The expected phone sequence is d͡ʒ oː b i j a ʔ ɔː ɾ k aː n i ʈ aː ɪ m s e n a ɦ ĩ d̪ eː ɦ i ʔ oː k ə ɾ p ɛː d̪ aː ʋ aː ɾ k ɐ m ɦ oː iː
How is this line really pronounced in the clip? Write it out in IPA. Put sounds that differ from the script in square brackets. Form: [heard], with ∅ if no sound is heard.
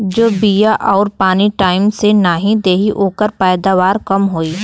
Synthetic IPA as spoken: d͡ʒ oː b i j a ʔ ɔː ɾ [p] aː n i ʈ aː ɪ m s e n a ɦ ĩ d̪ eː ɦ i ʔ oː k ə ɾ p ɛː d̪ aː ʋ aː ɾ k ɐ m ɦ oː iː